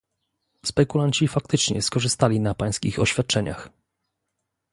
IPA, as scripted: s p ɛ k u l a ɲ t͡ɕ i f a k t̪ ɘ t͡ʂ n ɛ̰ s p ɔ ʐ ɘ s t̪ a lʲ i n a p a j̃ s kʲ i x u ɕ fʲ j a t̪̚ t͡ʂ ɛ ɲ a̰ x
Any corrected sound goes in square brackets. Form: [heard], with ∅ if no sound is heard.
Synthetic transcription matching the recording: s p ɛ k u l a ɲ t͡ɕ i f a k t̪ ɘ t͡ʂ [ɲ] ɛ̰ s [k] ɔ ʐ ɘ s t̪ a lʲ i n a p a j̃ s kʲ i x [ɔ] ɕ fʲ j a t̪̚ t͡ʂ ɛ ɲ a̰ x